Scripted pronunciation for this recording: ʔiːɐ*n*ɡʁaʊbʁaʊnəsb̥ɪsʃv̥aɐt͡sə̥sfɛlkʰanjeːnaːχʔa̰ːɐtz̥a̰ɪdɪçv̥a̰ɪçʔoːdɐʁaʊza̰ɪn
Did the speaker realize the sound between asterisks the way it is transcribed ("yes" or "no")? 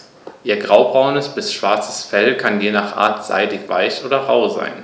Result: no